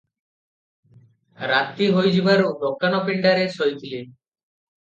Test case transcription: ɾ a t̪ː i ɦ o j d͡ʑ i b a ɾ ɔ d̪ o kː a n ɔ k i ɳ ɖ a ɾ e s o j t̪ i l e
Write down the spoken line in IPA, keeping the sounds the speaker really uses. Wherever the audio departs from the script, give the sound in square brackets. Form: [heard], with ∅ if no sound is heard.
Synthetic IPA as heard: ɾ a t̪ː i ɦ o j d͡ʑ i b a ɾ [o] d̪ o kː a n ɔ [p] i ɳ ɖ a ɾ e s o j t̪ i l e